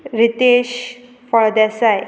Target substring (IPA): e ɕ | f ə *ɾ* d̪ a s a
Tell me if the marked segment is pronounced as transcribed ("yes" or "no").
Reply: no